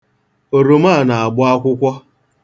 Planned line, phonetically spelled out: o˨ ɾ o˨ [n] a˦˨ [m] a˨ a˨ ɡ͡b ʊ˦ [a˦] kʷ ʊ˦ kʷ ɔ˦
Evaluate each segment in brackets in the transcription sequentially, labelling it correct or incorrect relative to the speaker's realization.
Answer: incorrect: m, incorrect: n, correct

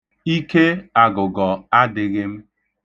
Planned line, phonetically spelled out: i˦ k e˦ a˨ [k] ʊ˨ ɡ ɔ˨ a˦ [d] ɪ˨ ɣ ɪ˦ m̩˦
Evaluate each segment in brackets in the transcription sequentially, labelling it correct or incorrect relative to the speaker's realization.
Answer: incorrect: ɡ, correct

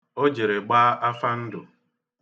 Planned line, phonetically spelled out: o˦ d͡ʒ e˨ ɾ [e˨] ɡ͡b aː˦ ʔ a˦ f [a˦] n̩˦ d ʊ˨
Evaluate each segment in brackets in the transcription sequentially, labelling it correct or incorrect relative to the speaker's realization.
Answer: correct, correct

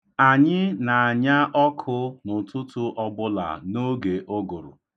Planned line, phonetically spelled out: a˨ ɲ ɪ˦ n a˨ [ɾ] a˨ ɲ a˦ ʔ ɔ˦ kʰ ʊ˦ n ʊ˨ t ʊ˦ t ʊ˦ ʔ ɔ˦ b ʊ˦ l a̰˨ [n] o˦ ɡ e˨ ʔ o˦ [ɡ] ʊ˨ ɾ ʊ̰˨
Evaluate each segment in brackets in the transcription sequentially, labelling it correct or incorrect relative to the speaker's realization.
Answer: incorrect: none, correct, correct

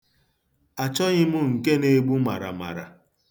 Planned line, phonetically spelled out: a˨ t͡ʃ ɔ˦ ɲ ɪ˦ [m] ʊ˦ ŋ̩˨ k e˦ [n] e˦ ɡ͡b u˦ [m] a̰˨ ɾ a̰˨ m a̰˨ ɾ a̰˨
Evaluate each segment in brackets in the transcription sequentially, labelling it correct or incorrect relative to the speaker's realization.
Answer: correct, correct, correct

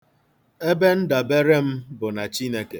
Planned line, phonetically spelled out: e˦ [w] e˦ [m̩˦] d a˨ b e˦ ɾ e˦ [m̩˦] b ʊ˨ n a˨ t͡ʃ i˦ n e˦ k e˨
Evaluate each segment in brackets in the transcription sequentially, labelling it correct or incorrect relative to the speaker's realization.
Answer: incorrect: b, incorrect: n̩˦, correct

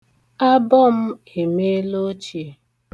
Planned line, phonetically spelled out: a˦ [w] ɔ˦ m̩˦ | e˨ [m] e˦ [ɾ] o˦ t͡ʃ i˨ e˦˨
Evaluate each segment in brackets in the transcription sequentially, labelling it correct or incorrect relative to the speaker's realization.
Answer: incorrect: b, correct, incorrect: l

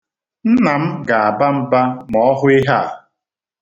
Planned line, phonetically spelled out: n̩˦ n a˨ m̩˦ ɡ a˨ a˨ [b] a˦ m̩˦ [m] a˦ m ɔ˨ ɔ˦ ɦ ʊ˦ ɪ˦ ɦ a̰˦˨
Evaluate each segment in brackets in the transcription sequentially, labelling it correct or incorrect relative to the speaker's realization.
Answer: correct, incorrect: b

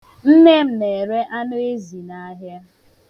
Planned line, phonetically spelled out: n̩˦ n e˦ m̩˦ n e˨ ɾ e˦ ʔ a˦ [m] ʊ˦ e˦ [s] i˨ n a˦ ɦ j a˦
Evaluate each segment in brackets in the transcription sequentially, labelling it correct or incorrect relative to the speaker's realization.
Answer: incorrect: n, incorrect: z

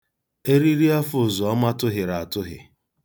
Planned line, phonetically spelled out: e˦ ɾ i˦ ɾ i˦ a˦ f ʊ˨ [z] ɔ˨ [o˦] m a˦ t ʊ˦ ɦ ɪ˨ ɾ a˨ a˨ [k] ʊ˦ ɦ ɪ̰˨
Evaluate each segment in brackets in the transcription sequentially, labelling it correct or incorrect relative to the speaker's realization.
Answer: correct, incorrect: ɔ˦, incorrect: t

